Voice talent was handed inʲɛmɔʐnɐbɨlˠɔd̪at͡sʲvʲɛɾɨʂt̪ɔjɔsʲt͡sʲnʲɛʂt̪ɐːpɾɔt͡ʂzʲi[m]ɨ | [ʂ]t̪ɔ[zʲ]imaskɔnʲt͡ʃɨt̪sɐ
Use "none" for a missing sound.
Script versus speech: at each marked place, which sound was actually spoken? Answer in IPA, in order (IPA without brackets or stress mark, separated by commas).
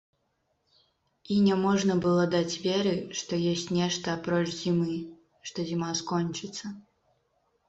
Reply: m, ʂ, zʲ